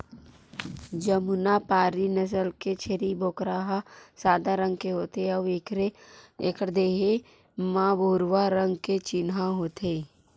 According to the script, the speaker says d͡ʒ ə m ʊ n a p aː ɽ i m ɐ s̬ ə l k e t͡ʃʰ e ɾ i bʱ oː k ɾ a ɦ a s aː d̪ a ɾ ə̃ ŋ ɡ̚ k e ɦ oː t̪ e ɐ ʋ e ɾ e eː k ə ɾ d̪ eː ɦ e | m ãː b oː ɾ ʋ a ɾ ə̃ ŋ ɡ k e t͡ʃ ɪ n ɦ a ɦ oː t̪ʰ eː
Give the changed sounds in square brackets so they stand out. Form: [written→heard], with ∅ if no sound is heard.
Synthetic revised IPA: d͡ʒ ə m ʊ n a p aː [ɽ→ɾ] i [m→n] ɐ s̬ ə l k e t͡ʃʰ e ɾ i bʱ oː k ɾ a ɦ a s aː d̪ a ɾ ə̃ ŋ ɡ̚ k e ɦ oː t̪ e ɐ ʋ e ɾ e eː k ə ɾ d̪ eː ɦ e | m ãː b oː ɾ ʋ a ɾ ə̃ ŋ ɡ k e t͡ʃ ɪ n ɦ a ɦ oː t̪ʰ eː

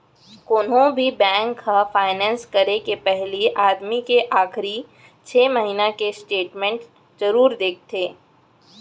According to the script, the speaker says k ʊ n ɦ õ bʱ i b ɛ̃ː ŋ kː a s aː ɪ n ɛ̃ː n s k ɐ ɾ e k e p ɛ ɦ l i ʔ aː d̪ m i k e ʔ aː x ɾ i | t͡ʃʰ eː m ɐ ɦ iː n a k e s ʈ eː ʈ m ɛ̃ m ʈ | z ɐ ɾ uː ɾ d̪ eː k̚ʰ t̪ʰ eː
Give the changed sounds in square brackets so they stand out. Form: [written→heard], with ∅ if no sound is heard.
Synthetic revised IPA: k ʊ n ɦ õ bʱ i b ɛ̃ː ŋ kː a [s→f] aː ɪ n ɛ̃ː n s k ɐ ɾ e k e p ɛ ɦ l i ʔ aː d̪ m i k e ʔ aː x ɾ i | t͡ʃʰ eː m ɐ ɦ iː n a k e s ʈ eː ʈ m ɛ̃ [m→ɳ] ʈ | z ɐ ɾ uː ɾ d̪ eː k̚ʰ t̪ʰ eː

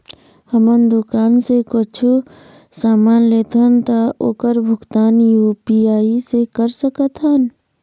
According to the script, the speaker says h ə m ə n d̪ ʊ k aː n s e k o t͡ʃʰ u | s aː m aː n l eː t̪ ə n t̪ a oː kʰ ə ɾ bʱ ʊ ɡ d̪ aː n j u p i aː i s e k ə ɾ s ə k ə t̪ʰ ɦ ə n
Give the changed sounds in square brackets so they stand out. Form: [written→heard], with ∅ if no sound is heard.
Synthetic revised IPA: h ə m ə n d̪ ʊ k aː n s e k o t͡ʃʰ u | s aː m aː n l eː t̪ ə n t̪ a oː [kʰ→k] ə ɾ bʱ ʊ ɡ [d̪→t̪] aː n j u p i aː i s e k ə ɾ s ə k ə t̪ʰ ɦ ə n

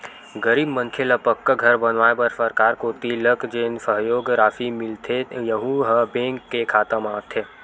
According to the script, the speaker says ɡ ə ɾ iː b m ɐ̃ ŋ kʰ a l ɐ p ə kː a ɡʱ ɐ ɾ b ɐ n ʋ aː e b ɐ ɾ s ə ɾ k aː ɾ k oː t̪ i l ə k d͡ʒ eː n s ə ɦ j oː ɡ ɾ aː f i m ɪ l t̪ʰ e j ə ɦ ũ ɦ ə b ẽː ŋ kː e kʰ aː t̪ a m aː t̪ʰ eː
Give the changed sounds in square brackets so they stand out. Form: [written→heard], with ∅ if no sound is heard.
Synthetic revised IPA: ɡ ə ɾ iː b m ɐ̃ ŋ kʰ [a→e] l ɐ p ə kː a ɡʱ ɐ ɾ b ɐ n ʋ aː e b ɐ ɾ s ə ɾ k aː ɾ k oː t̪ i l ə k d͡ʒ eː n s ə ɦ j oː ɡ ɾ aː f i m ɪ l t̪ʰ e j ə ɦ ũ ɦ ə b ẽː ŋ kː e kʰ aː t̪ [a→ə] m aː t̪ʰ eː

